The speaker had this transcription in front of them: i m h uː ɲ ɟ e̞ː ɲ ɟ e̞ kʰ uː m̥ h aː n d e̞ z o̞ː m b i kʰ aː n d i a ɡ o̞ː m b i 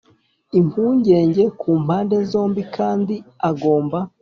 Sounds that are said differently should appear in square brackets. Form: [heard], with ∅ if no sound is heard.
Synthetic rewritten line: i m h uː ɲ ɟ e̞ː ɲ ɟ e̞ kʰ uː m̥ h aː n d e̞ z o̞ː m b i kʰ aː n d i a ɡ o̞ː m b [a]